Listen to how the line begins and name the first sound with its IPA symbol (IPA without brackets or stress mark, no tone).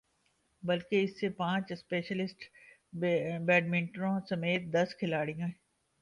b